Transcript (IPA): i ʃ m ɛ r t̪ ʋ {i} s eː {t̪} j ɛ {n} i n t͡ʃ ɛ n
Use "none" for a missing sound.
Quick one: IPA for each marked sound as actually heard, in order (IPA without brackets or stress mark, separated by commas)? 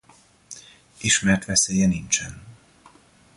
ɛ, none, n